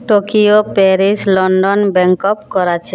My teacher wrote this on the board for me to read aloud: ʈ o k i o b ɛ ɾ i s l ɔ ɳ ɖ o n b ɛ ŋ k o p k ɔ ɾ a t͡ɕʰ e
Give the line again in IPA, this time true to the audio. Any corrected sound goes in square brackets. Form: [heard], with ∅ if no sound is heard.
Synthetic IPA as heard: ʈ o k i o [p] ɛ ɾ i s l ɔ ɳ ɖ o n b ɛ ŋ k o p k ɔ ɾ a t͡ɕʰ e